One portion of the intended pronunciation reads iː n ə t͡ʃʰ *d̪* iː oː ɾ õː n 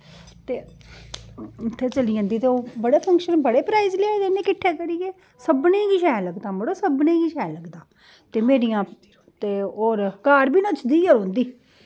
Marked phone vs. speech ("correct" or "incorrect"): correct